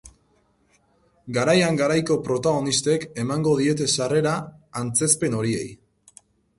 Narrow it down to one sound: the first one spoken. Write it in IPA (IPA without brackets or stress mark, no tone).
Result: ɡ